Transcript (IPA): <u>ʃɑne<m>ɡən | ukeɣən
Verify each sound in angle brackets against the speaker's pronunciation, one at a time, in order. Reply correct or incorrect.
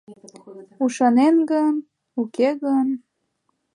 correct, incorrect: n

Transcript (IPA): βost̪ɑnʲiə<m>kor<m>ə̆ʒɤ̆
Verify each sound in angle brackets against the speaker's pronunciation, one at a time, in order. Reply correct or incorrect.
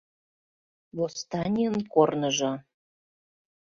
incorrect: n, incorrect: n

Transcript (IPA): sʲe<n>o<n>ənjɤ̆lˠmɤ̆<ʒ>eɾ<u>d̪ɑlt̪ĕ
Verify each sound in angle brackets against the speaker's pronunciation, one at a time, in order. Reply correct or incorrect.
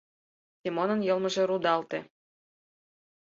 incorrect: m, correct, correct, correct

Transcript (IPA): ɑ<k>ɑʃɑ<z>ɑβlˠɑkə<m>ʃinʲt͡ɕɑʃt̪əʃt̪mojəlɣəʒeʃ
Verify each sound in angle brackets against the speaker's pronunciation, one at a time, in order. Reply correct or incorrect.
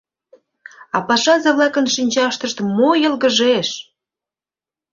incorrect: p, correct, incorrect: n

